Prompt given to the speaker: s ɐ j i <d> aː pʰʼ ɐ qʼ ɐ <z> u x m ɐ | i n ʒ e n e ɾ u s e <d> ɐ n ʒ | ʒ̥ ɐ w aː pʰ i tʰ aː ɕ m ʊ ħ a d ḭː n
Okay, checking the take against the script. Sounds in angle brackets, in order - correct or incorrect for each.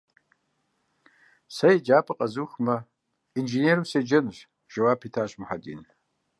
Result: incorrect, correct, incorrect

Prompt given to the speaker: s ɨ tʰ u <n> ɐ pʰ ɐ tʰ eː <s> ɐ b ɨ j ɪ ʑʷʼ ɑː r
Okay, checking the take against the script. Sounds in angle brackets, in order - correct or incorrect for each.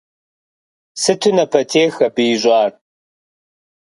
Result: correct, incorrect

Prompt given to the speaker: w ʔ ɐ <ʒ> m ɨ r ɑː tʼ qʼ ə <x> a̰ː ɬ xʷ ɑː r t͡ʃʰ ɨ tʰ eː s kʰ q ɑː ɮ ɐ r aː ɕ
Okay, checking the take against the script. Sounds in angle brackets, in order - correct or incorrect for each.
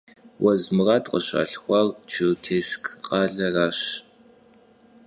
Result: incorrect, incorrect

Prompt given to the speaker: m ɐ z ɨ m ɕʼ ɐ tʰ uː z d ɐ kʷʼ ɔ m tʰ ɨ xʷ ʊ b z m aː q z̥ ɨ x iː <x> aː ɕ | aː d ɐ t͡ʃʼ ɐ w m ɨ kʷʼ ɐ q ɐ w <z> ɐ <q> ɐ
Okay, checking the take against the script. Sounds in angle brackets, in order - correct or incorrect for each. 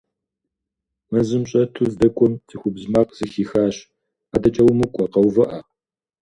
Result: correct, incorrect, incorrect

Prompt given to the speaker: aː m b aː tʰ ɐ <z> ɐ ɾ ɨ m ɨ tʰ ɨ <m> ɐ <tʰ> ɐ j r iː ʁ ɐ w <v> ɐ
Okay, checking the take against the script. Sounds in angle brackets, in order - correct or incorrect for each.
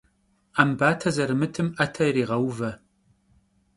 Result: correct, correct, correct, correct

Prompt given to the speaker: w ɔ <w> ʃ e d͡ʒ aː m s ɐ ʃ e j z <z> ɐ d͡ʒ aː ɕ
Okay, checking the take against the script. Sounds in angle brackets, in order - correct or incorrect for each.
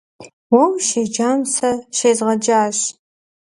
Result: correct, incorrect

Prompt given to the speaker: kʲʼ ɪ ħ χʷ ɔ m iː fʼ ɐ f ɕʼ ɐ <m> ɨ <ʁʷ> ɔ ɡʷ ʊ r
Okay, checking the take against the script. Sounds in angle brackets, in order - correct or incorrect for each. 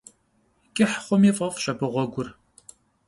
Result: incorrect, correct

